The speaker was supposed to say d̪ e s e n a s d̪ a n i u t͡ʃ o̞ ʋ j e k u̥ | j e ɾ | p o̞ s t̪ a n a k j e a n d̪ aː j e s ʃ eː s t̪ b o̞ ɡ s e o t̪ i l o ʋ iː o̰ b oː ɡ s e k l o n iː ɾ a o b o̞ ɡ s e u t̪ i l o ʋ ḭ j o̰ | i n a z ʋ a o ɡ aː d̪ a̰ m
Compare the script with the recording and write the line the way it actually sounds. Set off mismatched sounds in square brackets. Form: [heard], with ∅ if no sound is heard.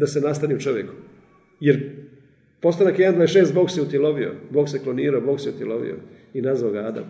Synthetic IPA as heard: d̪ [a] s e n a s [t̪] a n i u t͡ʃ o̞ ʋ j e k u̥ | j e ɾ | p o̞ s t̪ a n a k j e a n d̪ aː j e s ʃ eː s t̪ b o̞ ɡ s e [u] t̪ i l o ʋ [i] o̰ b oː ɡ s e k l o n iː ɾ a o b o̞ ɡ s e u t̪ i l o ʋ ḭ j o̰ | i n a z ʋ a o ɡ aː d̪ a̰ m